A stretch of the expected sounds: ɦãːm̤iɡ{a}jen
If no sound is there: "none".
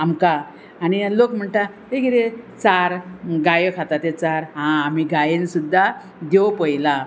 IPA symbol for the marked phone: a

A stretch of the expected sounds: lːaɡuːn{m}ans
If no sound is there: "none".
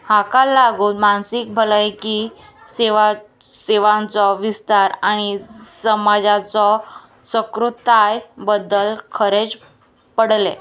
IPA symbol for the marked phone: m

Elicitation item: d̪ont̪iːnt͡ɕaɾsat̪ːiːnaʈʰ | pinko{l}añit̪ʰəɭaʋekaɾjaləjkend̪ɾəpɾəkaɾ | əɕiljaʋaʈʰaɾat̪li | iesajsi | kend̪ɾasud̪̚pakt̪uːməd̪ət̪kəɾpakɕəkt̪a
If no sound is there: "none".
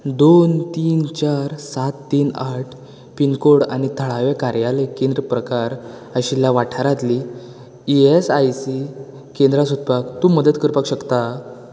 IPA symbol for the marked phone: ɽ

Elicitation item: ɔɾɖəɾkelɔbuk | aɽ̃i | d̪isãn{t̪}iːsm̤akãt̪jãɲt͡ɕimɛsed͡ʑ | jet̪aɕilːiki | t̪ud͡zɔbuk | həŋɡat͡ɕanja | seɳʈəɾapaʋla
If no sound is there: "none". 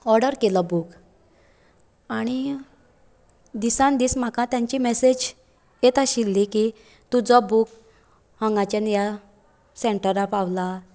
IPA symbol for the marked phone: d̪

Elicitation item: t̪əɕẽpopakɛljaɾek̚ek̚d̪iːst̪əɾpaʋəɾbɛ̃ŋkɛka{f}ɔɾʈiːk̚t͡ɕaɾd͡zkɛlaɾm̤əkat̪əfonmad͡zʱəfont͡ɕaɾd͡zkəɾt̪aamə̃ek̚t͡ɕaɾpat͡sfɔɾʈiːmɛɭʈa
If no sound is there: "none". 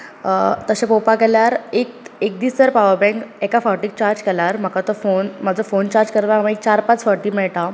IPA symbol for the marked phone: f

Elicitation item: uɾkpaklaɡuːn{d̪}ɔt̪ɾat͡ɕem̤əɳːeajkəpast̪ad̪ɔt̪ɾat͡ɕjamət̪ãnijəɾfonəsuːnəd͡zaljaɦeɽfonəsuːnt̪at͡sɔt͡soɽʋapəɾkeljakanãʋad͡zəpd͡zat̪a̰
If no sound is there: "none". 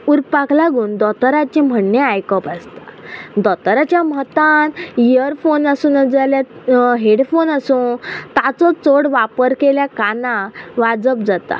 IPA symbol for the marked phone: d̪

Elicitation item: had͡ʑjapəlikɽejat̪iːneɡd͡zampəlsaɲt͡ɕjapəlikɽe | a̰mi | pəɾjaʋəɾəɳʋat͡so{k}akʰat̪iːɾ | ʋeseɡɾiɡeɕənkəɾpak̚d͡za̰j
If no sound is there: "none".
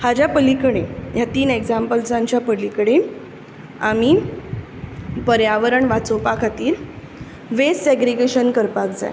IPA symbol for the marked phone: p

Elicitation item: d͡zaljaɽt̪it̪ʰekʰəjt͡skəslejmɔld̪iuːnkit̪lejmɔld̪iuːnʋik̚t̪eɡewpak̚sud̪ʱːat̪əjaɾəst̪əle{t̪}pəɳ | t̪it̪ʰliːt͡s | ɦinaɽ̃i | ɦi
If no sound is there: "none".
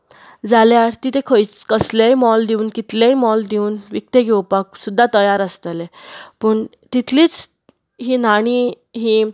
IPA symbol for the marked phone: none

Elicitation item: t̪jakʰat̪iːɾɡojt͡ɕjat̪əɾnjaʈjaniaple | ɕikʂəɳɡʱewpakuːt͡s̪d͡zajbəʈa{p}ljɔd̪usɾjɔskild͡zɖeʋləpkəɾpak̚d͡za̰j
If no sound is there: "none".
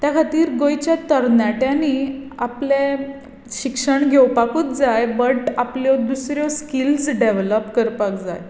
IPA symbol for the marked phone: p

